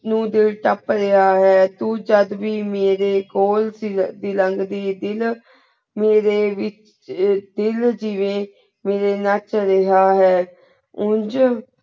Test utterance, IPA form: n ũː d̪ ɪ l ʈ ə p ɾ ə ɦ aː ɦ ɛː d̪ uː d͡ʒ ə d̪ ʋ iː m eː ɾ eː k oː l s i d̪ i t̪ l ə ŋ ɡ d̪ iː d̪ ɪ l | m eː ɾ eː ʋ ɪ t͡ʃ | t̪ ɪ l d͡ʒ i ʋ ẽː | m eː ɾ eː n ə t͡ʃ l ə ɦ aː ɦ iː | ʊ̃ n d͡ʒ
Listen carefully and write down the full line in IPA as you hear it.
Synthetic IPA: n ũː d̪ ɪ l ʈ ə p ɾ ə ɦ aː ɦ ɛː t̪ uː d͡ʒ ə d̪ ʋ iː m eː ɾ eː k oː l s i d̪ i l ə ŋ ɡ d̪ iː d̪ ɪ l | m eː ɾ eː ʋ ɪ t͡ʃ | d̪ ɪ l d͡ʒ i ʋ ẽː | m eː ɾ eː n ə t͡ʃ ɾ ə ɦ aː ɦ ɛː | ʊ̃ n d͡ʒ